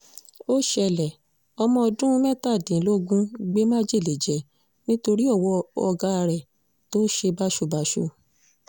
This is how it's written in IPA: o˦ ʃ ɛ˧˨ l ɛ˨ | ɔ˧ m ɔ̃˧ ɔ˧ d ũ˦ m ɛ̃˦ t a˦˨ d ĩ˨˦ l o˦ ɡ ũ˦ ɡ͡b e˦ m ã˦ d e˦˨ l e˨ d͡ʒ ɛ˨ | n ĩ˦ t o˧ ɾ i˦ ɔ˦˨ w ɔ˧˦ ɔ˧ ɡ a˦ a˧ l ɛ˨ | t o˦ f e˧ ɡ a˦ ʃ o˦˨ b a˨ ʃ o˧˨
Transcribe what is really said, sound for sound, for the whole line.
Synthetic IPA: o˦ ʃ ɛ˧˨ l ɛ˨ | ɔ˧ m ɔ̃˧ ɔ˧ d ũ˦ m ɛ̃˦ t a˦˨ d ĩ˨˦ l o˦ ɡ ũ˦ ɡ͡b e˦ m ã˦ d͡ʒ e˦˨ l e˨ d͡ʒ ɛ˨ | n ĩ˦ t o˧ ɾ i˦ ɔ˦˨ w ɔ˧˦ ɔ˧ ɡ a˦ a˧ ɾ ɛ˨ | t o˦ ʃ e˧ b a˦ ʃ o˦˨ b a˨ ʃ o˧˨